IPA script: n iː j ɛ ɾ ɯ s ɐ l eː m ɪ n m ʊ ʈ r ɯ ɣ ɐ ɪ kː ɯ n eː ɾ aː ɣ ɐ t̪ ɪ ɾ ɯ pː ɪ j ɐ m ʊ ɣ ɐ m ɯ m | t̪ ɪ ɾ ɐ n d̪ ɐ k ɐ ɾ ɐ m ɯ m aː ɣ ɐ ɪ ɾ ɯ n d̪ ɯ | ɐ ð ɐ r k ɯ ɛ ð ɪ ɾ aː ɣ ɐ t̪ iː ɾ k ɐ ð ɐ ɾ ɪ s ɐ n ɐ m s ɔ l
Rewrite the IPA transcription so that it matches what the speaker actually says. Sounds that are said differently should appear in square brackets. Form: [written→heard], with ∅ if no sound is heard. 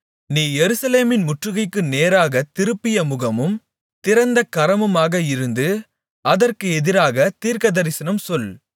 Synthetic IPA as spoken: n iː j ɛ ɾ ɯ s ɐ l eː m ɪ n m ʊ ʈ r ɯ ɣ ɐ ɪ kː ɯ n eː ɾ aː ɣ ɐ t̪ ɪ ɾ ɯ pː ɪ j ɐ m ʊ ɣ ɐ m ɯ m | t̪ ɪ ɾ ɐ n d̪ ɐ k ɐ ɾ ɐ m ɯ m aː ɣ ɐ ɪ ɾ ɯ n d̪ ɯ | ɐ ð ɐ r k ɯ ɛ ð ɪ ɾ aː ɣ ɐ t̪ iː ɾ k ɐ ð ɐ ɾ ɪ s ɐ n ɐ m s ɔ l